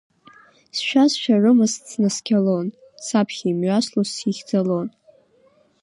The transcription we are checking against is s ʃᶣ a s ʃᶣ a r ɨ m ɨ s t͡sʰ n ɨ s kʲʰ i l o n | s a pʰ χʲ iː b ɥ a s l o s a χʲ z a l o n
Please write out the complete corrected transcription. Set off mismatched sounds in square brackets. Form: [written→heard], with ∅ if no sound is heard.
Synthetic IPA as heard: s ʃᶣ a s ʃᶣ a r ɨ m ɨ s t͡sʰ n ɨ s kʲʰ [i→a] l o n | s a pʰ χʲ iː [b→m] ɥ a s l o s [a→i] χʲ [z→d͡z] a l o n